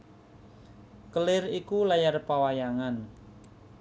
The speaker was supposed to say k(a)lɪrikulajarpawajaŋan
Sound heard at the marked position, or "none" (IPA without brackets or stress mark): ə